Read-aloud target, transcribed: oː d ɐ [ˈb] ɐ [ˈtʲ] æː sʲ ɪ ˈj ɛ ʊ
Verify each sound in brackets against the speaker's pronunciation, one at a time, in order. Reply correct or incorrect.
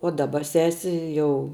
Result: correct, incorrect

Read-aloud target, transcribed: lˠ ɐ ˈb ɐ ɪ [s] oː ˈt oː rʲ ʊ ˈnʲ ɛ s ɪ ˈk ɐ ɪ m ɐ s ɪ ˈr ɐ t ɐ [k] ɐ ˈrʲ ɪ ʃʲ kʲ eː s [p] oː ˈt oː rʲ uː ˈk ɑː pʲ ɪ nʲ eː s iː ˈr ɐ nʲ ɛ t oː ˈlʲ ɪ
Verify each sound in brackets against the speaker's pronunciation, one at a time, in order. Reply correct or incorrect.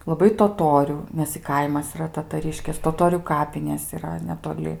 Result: incorrect, incorrect, incorrect

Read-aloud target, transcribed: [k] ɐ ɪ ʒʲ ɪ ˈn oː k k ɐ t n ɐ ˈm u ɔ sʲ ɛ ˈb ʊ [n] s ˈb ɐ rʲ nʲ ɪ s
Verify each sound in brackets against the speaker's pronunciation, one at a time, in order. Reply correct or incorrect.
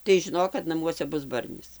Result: incorrect, incorrect

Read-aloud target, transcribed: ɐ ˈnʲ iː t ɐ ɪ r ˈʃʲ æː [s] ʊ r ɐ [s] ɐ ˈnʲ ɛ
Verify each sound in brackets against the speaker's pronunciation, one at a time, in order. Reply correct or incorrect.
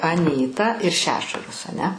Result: incorrect, correct

